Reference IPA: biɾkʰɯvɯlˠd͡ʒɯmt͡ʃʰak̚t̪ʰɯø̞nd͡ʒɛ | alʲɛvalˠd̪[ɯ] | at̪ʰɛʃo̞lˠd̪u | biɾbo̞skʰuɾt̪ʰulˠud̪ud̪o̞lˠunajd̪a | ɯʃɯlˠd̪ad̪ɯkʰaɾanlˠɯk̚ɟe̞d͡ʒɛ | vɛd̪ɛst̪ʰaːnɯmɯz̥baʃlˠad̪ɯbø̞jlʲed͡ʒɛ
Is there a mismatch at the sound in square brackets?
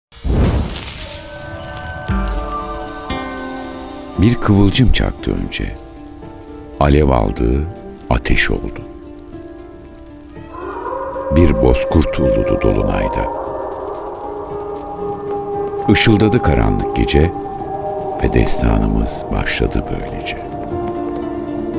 yes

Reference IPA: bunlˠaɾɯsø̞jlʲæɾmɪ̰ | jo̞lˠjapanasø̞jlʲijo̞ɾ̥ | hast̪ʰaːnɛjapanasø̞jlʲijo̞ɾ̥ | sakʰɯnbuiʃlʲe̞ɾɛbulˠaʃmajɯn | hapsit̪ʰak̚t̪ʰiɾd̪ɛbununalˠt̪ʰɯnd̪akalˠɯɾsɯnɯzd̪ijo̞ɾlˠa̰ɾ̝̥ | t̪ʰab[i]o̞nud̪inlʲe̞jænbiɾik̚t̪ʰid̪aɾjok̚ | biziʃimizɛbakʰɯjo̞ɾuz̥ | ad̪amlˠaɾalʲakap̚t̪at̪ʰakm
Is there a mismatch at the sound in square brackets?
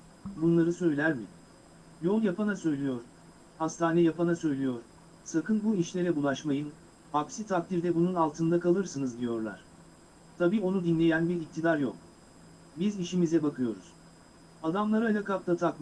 yes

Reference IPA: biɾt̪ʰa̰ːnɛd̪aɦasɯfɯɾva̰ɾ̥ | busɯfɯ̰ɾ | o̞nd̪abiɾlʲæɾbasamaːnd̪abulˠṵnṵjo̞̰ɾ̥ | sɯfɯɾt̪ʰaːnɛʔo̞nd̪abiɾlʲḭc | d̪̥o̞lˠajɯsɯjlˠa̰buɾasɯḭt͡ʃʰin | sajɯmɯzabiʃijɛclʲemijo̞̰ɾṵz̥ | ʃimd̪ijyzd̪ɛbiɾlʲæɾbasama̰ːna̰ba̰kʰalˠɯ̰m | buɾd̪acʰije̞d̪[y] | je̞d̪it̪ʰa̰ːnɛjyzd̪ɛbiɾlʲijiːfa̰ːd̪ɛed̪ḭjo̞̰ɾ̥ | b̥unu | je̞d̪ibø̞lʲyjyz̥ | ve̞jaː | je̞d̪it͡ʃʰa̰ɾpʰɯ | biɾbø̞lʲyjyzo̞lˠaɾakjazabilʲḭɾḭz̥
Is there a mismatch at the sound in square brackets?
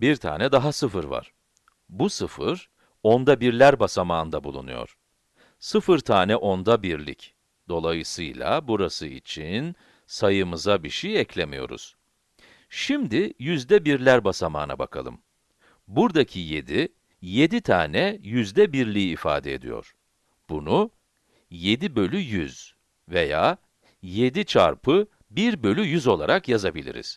yes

